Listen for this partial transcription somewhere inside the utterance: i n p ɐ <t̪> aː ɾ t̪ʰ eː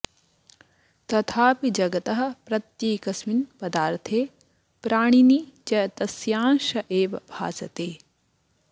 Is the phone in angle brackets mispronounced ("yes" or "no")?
yes